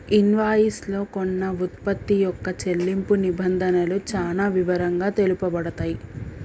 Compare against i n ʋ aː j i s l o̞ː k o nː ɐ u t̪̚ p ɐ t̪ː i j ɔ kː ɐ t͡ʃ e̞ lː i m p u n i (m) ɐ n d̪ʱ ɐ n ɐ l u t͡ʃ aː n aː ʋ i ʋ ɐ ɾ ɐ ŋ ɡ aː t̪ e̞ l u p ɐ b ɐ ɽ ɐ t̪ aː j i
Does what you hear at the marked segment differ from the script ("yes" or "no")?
yes